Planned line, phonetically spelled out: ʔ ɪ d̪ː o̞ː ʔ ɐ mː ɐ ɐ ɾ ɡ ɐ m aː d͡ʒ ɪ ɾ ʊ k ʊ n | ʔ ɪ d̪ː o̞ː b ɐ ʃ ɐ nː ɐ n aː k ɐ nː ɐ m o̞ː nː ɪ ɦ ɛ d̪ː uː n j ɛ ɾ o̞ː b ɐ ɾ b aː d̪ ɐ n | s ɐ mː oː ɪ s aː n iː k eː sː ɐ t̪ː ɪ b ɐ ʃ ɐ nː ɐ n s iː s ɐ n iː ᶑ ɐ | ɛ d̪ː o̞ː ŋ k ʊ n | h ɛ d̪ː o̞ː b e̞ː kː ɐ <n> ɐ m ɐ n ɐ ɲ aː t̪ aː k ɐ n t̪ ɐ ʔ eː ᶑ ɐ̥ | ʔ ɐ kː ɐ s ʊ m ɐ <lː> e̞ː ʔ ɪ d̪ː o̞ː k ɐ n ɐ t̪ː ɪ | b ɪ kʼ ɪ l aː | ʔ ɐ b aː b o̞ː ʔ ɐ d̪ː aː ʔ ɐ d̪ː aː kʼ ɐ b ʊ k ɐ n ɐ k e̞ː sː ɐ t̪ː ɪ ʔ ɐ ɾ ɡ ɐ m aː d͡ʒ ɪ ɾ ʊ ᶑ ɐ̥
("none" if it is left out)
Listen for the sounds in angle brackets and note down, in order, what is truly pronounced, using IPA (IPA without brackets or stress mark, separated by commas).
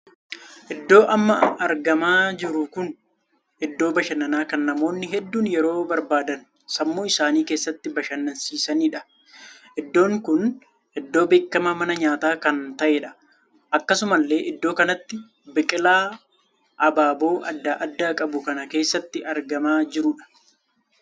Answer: m, lː